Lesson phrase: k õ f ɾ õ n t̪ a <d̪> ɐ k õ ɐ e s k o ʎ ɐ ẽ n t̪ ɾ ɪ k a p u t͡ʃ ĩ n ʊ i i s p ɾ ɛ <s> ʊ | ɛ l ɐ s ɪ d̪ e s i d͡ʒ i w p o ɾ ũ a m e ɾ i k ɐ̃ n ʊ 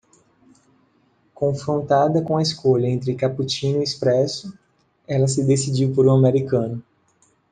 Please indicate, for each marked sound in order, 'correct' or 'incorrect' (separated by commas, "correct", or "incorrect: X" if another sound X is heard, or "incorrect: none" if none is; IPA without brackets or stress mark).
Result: correct, correct